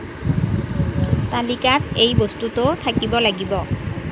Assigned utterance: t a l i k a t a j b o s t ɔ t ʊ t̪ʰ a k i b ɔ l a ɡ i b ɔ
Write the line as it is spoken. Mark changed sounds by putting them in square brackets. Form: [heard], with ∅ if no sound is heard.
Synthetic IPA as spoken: t a l i k a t [e] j b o s t [u] t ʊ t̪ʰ a k i b ɔ l a ɡ i b ɔ